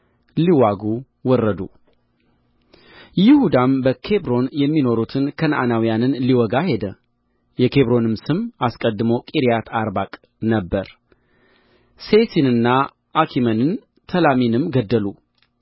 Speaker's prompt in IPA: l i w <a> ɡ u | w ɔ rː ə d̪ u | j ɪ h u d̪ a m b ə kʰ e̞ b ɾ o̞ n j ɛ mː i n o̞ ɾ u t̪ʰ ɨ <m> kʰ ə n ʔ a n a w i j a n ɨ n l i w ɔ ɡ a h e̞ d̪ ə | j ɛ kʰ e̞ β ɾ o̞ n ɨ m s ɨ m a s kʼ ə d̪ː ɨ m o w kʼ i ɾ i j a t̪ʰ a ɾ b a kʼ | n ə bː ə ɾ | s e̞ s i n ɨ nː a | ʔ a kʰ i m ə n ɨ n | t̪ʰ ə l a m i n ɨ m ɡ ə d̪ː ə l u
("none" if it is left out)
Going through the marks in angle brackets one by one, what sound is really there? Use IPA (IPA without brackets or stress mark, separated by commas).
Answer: a, n